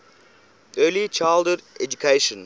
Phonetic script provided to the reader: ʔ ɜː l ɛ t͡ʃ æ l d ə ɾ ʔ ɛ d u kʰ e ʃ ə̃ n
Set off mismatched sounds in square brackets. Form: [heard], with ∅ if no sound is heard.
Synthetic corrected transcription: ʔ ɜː l [i] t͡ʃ [a] l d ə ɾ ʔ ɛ [d͡ʒ] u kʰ e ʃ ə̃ n